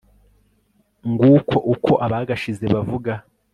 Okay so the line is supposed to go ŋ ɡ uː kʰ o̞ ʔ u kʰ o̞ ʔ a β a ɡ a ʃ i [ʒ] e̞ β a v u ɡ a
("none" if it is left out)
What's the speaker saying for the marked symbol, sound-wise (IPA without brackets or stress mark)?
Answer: z